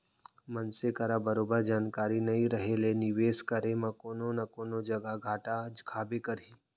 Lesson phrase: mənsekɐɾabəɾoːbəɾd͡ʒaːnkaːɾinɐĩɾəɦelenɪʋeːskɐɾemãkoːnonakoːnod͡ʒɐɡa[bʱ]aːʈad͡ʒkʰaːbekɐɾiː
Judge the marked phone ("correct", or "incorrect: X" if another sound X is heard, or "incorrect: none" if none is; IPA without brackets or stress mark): incorrect: ɡʱ